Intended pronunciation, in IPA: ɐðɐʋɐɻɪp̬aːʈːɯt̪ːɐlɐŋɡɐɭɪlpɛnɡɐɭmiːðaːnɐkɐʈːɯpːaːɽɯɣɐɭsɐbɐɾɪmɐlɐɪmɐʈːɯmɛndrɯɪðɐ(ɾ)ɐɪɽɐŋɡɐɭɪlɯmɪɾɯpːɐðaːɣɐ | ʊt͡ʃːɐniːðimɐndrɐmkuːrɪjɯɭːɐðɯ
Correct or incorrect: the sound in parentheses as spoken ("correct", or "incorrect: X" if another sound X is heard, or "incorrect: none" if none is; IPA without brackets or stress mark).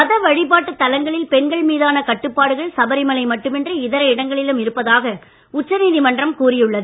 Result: correct